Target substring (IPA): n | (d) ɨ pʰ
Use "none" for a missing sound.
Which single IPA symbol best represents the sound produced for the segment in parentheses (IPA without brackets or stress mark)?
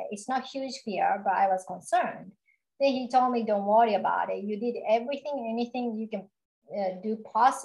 d